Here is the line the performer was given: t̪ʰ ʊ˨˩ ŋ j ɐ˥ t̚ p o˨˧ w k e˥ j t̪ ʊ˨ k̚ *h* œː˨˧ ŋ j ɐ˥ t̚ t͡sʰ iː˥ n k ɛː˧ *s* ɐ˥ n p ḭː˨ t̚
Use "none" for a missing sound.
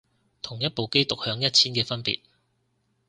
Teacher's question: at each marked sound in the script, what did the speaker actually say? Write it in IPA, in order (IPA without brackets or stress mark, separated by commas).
h, f